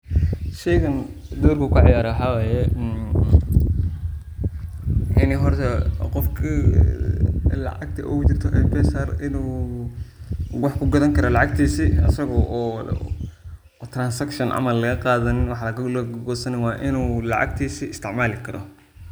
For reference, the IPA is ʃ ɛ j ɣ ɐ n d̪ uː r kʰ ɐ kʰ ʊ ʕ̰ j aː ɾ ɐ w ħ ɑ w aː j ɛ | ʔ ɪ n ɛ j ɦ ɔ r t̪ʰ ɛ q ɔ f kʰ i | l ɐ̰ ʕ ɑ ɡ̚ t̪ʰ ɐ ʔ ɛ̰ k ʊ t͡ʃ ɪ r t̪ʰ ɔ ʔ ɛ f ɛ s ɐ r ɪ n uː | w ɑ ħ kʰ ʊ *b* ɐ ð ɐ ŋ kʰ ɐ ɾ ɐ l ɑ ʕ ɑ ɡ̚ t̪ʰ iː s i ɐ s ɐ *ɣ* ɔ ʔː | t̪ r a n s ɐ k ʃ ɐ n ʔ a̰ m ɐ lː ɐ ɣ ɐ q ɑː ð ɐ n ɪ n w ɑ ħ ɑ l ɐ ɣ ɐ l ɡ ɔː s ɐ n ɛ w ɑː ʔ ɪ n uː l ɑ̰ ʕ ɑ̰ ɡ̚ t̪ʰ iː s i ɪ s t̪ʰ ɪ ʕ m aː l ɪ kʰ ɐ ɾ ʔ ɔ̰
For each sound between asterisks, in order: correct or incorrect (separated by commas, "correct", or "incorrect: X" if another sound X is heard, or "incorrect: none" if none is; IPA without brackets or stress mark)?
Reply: incorrect: ɡ, correct